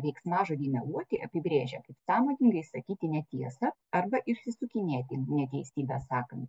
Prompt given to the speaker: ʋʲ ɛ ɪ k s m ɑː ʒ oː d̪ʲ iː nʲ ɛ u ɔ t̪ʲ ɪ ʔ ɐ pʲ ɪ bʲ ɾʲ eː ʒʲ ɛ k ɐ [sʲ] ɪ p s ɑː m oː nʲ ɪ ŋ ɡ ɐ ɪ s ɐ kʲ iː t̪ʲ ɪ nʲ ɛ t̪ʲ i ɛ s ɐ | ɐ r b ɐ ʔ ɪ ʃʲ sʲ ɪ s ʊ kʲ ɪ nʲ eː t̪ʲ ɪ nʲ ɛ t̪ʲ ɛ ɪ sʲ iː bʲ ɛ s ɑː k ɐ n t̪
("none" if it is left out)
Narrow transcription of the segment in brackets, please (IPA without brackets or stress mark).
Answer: none